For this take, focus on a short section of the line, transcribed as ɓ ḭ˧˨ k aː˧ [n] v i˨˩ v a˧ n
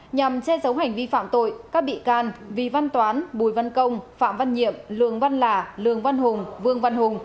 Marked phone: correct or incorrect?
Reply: correct